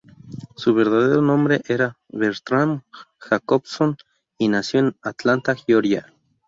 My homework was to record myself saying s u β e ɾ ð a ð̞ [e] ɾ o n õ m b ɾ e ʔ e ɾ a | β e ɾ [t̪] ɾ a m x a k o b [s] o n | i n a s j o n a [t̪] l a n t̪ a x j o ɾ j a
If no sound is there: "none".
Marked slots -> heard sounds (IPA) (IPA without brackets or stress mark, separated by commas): e, t̪, s, t̪